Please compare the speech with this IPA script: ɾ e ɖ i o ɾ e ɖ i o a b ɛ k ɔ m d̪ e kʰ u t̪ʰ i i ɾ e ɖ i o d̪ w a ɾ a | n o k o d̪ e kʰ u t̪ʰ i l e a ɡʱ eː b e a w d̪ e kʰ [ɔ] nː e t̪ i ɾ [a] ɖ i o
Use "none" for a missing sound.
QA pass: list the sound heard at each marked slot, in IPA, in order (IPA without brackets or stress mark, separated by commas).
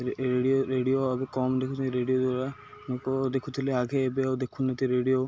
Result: u, e